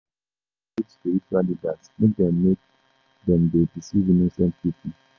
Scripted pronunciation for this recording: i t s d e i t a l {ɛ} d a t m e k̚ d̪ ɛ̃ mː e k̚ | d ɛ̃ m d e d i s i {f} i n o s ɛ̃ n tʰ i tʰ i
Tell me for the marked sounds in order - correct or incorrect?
incorrect: i, incorrect: v

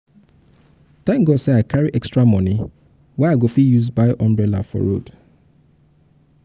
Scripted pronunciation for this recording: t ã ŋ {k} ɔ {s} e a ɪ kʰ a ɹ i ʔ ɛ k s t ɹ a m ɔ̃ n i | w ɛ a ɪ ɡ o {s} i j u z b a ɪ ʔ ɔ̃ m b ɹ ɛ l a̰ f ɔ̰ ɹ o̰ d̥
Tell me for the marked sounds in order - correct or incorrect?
incorrect: ɡ, correct, incorrect: f

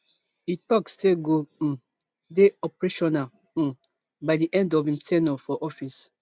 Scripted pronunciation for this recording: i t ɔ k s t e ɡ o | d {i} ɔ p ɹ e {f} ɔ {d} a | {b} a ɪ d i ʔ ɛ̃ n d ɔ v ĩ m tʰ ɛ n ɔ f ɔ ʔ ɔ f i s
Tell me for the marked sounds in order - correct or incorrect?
incorrect: e, incorrect: ʃ, incorrect: n, correct

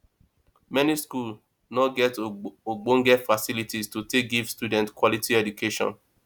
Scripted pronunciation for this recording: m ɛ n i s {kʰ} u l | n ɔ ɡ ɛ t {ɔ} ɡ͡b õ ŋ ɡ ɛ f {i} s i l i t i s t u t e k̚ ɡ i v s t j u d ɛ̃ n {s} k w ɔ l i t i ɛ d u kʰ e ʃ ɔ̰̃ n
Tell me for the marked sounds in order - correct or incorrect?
incorrect: k, incorrect: o, incorrect: a, incorrect: t

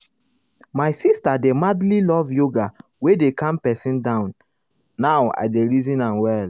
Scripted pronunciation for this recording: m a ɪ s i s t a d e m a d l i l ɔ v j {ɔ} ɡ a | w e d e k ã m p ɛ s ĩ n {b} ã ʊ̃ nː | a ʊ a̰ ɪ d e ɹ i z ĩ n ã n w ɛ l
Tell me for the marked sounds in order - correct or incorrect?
incorrect: o, incorrect: d

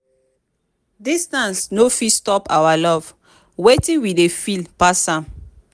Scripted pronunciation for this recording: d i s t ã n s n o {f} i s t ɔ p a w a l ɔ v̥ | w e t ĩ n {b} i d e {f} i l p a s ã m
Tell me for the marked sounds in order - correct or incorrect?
correct, incorrect: w, correct

